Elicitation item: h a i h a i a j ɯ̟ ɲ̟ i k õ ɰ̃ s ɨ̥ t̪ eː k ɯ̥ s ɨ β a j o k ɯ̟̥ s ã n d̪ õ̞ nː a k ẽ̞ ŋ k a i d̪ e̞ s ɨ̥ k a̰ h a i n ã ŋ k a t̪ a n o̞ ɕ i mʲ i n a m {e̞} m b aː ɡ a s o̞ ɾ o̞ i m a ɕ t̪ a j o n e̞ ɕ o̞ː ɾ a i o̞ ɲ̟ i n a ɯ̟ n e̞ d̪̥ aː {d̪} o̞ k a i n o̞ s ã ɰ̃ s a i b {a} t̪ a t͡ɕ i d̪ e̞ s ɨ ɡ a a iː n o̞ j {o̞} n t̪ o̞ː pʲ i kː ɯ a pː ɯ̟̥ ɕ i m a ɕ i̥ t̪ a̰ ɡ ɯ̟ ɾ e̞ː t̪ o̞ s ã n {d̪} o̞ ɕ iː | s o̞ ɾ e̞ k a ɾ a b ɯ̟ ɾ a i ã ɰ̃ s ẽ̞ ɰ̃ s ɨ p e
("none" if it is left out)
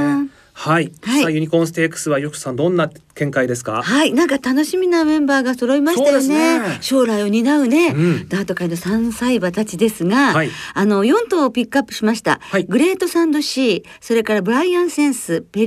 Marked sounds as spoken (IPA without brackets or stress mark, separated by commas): ẽ̞, t̪, a, õ̞, d̪